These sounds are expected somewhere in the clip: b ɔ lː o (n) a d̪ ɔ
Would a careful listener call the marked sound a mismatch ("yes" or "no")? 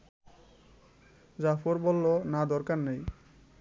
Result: no